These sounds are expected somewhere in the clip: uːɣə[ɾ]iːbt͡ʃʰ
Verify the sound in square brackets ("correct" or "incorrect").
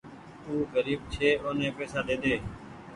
correct